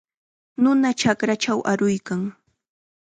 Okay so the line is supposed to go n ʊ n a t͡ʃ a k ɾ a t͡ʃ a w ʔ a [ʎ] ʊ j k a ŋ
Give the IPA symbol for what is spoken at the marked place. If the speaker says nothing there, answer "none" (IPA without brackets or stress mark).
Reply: ɾ